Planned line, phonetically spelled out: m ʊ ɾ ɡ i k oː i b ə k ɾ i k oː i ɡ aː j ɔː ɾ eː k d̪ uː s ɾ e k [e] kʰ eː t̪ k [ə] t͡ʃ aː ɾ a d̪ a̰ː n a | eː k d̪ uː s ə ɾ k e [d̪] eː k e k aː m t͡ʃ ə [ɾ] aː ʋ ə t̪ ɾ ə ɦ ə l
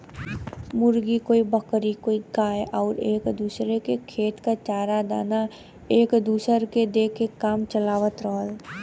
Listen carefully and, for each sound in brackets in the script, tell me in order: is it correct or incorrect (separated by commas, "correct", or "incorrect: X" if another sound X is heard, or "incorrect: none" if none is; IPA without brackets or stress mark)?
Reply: correct, incorrect: a, correct, incorrect: l